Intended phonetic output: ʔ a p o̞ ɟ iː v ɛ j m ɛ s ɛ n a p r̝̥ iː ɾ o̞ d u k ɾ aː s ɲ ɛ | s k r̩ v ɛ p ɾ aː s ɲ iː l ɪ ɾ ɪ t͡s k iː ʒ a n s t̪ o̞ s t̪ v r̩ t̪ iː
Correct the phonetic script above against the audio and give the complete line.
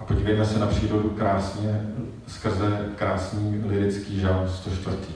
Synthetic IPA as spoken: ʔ a p o̞ ɟ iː v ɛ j m ɛ s ɛ n a p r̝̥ iː ɾ o̞ d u k ɾ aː s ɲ ɛ | s k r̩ z ɛ k ɾ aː s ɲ iː l ɪ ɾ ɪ t͡s k iː ʒ a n s t̪ o̞ ʃ t̪ v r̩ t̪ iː